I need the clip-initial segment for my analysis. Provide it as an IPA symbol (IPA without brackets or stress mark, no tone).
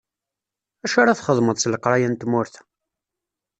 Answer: æ